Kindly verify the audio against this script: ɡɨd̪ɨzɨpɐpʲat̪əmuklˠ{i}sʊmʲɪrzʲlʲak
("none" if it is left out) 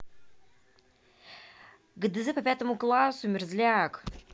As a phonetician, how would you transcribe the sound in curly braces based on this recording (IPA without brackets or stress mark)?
a